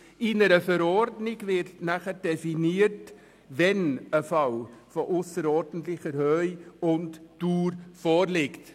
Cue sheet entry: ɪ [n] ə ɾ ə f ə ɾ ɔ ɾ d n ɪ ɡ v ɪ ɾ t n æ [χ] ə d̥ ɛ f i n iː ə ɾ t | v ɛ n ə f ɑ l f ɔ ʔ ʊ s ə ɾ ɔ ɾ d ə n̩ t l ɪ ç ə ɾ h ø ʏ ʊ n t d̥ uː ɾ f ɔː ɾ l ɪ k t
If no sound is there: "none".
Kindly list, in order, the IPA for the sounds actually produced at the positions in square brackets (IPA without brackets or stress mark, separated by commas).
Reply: n, χ